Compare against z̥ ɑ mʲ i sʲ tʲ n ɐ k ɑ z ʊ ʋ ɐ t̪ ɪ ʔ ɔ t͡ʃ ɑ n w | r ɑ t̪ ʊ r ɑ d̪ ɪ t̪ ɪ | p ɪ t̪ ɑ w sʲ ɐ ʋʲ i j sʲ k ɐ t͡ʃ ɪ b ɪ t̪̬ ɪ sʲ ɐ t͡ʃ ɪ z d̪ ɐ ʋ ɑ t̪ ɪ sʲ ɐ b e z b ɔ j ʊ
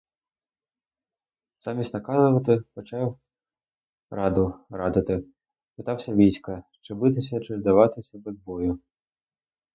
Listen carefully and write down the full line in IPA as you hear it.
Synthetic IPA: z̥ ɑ mʲ i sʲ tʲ n ɐ k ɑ z ʊ ʋ ɐ t̪ ɪ p ɔ t͡ʃ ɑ w | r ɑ d̪ ʊ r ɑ d̪ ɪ t̪ ɪ | p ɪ t̪ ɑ w sʲ ɐ ʋʲ i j sʲ k ɐ t͡ʃ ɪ b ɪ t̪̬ ɪ sʲ ɐ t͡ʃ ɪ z d̪ ɐ ʋ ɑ t̪ ɪ sʲ ɐ b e z b ɔ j ʊ